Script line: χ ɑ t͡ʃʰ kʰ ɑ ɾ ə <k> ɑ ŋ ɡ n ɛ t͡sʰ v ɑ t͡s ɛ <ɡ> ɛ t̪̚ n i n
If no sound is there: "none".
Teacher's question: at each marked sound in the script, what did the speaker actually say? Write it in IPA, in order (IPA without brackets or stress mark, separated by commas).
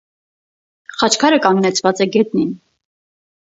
k, ɡ